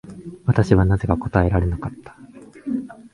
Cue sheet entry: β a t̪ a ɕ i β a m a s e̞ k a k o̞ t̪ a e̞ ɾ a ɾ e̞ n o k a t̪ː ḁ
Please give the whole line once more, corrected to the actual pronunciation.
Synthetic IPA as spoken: β a t̪ a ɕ i β a n a z e̞ k a k o̞ t̪ a e̞ ɾ a ɾ e̞ n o k a t̪ː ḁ

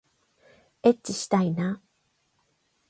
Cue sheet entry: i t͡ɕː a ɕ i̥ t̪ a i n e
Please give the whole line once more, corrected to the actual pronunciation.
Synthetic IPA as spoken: e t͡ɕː i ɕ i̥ t̪ a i n a

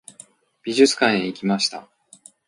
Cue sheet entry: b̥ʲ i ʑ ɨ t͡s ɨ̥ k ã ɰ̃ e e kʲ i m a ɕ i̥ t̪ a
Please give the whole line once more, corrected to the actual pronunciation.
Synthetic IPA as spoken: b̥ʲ i ʑ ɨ t͡s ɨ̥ k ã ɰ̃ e i kʲ i m a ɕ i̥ t̪ a

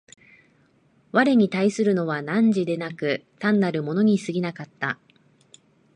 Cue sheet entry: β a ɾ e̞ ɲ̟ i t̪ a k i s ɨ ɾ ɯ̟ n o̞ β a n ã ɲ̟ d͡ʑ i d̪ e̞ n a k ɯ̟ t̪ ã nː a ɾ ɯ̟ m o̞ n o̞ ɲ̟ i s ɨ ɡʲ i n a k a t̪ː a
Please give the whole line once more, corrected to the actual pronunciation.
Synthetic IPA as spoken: β a ɾ e̞ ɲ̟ i t̪ a i s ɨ ɾ ɯ̟ n o̞ β a n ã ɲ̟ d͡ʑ i d̪ e̞ n a k ɯ̟ t̪ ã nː a ɾ ɯ̟ m o̞ n o̞ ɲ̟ i s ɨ ɡʲ i n a k a t̪ː a

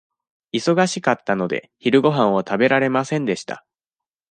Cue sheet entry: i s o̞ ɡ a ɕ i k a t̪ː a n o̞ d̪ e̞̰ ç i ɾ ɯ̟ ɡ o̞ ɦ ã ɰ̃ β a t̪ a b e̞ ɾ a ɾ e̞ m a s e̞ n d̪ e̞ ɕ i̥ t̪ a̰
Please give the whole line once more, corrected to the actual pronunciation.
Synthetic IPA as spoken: i s o̞ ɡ a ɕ i k a t̪ː a n o̞ d̪ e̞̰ ç i ɾ ɯ̟ ɡ o̞ ɦ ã ɰ̃ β a t̪ a b e̞ ɾ a ɾ e̞ m a s ẽ̞ n d̪ e̞ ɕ i̥ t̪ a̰

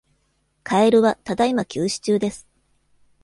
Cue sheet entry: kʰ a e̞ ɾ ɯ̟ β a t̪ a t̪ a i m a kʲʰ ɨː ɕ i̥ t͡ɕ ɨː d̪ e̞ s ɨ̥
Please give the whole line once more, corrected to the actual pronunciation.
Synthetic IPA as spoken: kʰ a e̞ ɾ ɯ̟ β a t̪ a d̪ a i m a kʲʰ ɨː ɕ i̥ t͡ɕ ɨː d̪ e̞ s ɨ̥

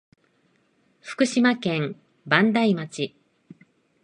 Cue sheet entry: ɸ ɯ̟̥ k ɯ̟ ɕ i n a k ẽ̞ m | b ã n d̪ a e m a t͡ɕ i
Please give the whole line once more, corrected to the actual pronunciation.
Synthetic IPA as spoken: ɸ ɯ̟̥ k ɯ̟ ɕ i m a k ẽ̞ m | b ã n d̪ a i m a t͡ɕ i

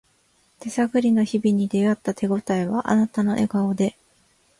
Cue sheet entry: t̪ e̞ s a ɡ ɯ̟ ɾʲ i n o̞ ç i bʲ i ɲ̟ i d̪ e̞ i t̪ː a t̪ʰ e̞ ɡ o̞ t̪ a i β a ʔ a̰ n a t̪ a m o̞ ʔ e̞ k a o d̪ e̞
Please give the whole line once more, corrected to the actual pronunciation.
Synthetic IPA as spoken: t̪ e̞ s a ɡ ɯ̟ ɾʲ i n o̞ ç i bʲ i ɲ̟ i d̪ e̞ a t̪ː a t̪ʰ e̞ ɡ o̞ t̪ a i β a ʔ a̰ n a t̪ a n o̞ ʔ e̞ ɡ a o d̪ e̞

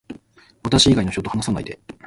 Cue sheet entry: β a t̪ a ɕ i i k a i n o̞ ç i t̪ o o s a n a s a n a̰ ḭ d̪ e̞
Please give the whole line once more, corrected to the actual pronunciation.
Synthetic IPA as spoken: β a t̪ a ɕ i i ɡ a i n o̞ ç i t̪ o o h a n a s a n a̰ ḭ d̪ e̞

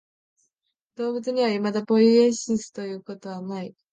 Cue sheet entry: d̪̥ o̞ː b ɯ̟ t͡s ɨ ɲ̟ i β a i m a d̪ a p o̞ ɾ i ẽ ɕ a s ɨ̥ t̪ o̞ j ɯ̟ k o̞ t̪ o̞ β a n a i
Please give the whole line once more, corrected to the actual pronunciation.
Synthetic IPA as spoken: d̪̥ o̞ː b ɯ̟ t͡s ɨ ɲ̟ i β a i m a d̪ a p o̞ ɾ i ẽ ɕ i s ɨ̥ t̪ o̞ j ɯ̟ː k o̞ t̪ o̞ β a n a i

